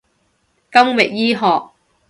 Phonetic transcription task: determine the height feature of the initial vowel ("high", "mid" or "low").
low